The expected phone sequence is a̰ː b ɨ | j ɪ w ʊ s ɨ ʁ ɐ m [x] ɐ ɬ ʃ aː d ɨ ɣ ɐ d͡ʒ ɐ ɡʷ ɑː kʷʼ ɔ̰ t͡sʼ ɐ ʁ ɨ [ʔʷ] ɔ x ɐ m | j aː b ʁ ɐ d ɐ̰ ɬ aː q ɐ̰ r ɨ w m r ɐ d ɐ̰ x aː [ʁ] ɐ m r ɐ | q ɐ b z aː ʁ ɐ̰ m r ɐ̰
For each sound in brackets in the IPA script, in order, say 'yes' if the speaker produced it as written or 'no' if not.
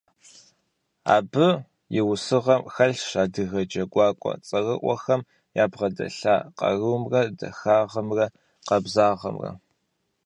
yes, yes, yes

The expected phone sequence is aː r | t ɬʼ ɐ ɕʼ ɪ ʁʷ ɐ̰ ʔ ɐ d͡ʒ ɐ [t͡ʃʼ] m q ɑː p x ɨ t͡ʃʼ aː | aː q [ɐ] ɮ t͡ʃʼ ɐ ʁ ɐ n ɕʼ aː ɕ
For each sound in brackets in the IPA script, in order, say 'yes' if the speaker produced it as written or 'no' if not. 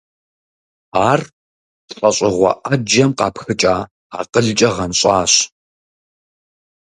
no, no

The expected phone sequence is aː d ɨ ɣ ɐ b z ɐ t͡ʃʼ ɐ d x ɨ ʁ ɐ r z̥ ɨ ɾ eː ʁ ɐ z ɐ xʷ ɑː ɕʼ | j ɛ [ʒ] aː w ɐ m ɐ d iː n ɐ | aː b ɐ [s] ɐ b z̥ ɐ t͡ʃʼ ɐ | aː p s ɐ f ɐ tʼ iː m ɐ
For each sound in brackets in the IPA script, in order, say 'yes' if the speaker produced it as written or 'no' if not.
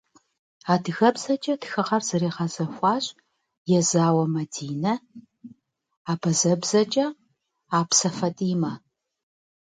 no, no

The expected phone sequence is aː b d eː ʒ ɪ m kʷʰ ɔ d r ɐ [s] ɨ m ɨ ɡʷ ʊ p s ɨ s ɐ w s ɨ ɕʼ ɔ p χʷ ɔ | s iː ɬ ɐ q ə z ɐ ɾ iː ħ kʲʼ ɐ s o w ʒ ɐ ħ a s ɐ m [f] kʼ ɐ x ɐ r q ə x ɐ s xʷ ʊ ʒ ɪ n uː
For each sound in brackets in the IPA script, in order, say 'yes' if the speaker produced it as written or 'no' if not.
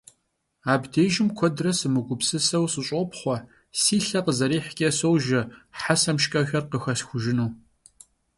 yes, no

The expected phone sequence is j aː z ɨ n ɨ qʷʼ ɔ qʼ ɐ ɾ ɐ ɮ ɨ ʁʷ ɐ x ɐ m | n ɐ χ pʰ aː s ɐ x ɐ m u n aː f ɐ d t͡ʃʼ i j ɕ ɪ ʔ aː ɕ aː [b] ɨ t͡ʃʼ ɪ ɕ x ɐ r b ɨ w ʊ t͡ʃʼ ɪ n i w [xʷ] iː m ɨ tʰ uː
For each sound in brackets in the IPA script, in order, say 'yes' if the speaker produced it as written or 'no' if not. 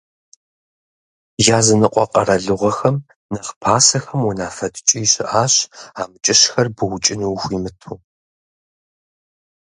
no, yes

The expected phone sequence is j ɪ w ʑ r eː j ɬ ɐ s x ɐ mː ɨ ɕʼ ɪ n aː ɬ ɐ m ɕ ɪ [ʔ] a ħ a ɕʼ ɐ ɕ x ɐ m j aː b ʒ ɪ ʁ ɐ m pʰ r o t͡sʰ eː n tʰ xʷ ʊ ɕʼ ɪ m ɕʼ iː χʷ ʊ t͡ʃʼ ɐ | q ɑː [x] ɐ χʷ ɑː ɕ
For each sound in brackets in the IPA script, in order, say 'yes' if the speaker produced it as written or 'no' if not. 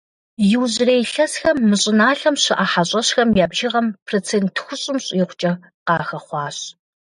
yes, yes

